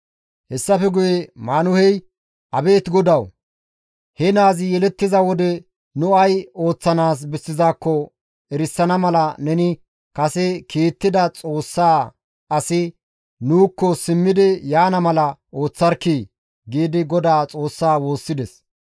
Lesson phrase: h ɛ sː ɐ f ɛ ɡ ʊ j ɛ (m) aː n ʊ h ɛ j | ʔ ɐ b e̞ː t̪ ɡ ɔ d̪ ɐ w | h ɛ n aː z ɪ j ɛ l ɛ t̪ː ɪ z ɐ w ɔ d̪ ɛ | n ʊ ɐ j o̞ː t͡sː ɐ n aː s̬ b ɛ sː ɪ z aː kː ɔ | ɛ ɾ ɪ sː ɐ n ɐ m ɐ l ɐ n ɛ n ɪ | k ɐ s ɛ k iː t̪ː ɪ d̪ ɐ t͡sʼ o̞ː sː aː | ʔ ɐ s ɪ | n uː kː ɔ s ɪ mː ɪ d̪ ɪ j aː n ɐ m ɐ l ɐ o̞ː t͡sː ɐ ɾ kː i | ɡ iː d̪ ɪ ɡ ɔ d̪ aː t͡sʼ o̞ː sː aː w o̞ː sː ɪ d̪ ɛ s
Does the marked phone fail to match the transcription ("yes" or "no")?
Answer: no